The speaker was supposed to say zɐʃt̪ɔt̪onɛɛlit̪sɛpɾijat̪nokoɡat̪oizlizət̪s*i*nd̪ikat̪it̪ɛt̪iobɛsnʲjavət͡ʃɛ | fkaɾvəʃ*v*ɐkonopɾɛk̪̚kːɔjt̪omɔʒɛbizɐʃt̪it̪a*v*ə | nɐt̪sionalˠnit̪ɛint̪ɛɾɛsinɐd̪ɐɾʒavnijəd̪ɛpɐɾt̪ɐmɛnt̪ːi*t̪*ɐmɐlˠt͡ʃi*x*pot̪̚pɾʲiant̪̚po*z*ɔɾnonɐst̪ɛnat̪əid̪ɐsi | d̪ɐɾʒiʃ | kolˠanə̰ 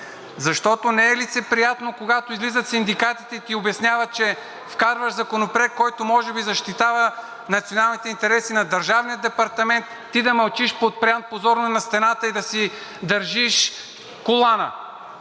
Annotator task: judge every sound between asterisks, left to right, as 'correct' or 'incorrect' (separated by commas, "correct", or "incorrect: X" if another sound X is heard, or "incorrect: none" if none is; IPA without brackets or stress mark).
correct, incorrect: z, correct, incorrect: d̪, incorrect: ʃ, correct